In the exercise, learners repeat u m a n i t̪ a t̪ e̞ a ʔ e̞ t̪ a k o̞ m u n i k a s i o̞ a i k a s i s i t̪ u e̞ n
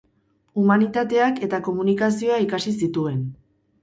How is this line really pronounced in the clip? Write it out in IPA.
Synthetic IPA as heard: u m a n i t̪ a t̪ e̞ a k e̞ t̪ a k o̞ m u n i k a s i o̞ a i k a s i s i t̪ u e̞ n